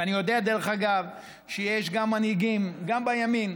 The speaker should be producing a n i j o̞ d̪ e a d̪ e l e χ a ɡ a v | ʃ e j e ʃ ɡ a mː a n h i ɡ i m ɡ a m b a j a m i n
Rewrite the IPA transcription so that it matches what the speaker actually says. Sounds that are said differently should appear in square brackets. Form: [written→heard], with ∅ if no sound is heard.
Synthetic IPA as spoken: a n i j o̞ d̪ e a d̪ e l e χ a ɡ a v | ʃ e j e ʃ ɡ a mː a n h i ɡ i m ɡ a m b a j a m i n